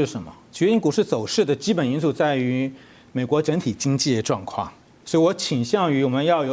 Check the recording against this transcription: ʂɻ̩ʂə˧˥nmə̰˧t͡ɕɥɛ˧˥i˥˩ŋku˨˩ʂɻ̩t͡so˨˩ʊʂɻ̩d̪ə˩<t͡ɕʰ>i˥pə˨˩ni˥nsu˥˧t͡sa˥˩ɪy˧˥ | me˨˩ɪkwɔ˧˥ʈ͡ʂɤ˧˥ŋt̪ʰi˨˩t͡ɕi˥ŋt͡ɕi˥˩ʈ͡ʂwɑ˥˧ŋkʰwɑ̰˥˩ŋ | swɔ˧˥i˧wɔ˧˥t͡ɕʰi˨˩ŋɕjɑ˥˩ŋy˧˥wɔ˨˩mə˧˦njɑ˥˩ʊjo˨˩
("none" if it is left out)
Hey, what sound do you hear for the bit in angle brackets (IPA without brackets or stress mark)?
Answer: t͡ɕ